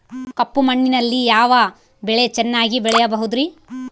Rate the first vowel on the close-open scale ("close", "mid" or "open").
open